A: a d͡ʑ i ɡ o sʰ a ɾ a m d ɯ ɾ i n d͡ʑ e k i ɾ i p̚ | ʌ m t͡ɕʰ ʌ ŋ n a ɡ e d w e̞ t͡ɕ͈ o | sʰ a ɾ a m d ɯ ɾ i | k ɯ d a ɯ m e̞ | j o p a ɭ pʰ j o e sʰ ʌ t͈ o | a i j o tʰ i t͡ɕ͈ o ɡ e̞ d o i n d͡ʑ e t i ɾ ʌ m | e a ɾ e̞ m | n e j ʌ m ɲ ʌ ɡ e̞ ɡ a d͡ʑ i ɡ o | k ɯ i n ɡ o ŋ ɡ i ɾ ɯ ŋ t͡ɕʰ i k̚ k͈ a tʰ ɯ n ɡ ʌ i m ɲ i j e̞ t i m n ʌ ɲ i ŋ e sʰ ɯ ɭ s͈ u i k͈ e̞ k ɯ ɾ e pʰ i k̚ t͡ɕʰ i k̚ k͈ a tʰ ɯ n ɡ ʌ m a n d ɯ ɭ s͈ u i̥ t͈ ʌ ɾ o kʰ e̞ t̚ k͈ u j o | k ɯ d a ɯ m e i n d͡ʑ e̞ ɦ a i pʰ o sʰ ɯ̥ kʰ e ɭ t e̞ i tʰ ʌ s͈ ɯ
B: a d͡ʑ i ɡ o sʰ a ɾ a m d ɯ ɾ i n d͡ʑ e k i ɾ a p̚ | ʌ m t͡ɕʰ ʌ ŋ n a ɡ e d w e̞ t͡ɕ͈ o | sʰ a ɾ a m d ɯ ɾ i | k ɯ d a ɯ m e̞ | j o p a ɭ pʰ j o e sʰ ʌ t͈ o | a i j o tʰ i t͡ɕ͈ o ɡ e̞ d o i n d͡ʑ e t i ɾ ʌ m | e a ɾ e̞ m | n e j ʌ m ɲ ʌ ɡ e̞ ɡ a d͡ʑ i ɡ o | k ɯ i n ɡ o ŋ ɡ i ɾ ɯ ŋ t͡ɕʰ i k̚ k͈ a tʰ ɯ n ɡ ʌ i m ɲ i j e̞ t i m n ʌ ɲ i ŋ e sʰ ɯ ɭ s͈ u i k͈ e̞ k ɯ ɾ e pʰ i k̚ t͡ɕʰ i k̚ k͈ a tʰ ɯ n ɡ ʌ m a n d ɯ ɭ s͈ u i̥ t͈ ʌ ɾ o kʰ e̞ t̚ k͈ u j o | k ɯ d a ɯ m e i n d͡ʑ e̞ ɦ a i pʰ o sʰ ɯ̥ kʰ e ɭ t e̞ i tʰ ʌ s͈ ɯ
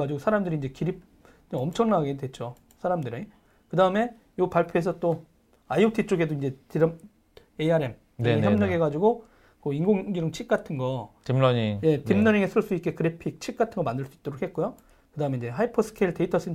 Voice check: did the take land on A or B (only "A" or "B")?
A